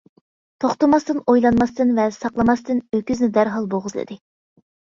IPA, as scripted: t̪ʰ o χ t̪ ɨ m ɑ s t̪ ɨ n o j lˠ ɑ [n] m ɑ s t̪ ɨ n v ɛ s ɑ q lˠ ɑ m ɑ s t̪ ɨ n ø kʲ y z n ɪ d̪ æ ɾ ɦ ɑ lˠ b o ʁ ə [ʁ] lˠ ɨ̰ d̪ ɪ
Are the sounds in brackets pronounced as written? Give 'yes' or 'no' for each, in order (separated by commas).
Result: yes, no